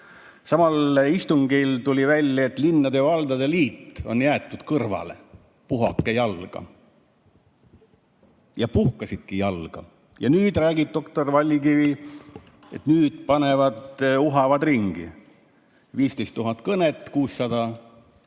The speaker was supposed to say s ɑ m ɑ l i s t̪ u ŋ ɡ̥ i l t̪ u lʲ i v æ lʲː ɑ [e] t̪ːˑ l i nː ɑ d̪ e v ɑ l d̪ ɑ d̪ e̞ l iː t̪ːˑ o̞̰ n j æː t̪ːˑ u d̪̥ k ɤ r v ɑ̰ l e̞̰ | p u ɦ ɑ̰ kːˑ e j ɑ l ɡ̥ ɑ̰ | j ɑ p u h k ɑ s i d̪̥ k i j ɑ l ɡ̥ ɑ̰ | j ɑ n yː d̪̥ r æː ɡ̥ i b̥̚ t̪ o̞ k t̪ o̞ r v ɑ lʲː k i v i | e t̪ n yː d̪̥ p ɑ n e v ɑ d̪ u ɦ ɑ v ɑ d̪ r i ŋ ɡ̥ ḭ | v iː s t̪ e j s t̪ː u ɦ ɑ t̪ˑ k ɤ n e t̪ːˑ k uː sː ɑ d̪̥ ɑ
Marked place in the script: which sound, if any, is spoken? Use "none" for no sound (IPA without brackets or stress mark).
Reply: e